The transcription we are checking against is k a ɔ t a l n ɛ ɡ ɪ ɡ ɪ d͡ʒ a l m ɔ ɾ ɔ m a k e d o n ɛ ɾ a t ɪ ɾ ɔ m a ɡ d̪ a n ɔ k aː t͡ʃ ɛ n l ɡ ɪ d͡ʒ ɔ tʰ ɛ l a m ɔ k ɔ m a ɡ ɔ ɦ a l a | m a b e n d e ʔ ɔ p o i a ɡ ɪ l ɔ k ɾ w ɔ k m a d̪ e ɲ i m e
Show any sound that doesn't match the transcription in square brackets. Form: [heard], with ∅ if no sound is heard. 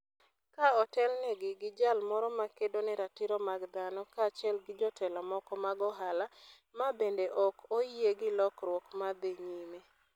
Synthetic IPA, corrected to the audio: k a ɔ t [ɛ] l n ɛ ɡ ɪ ɡ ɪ d͡ʒ a l m ɔ ɾ ɔ m a k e d o n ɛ ɾ a t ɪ ɾ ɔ m a ɡ d̪ a n ɔ k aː t͡ʃ ɛ [∅] l ɡ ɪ d͡ʒ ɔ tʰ ɛ l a m ɔ k ɔ m a ɡ ɔ ɦ a l a | m a b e n d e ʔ ɔ [k] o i [e] ɡ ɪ l ɔ k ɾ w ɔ k m a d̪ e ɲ i m e